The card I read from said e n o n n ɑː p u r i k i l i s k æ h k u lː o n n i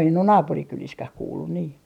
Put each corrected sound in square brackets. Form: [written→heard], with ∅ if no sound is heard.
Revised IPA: e n o n n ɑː p u r i k [i→y] l i s k æ h k [u→uː] lː [o→u] n n [i→iː]